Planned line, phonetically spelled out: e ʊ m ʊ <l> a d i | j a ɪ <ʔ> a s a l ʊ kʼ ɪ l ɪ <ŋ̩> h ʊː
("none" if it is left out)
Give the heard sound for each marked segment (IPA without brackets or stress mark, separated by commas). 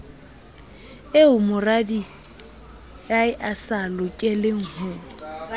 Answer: r, ʔ, ŋ̩